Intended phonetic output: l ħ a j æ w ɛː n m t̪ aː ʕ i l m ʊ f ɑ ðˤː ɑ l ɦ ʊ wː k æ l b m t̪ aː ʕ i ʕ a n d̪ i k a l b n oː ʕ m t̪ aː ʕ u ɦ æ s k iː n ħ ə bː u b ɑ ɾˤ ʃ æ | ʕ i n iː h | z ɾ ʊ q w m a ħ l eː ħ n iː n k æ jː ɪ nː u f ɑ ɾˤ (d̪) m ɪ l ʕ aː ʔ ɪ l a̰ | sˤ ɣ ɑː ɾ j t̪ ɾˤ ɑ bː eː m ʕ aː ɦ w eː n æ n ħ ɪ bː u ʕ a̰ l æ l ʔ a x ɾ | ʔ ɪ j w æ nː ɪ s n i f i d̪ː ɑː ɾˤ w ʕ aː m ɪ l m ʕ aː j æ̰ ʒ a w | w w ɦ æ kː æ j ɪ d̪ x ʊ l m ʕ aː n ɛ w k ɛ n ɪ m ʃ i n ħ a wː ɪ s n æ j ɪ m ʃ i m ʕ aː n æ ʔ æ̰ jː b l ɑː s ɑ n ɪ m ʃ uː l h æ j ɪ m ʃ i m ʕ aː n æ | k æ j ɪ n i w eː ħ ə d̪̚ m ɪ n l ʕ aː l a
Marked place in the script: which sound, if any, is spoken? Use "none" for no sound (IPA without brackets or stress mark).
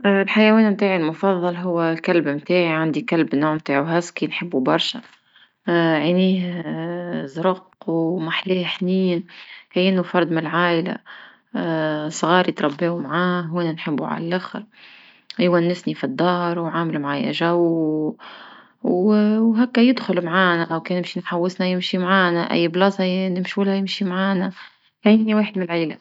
d̪